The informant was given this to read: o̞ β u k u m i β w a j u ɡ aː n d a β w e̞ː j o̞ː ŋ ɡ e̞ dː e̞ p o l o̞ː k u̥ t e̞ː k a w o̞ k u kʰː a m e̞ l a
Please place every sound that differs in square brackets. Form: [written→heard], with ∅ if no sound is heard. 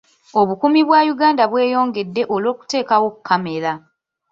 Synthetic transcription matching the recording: o̞ β u k u m i β w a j u ɡ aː n d a β w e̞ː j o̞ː ŋ ɡ e̞ dː e̞ [p→ʔ] o l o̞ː k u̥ t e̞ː k a w o̞ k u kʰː a m e̞ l a